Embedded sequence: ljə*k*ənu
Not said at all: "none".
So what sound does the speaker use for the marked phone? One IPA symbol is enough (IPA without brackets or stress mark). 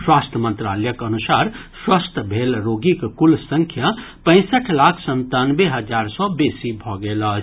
k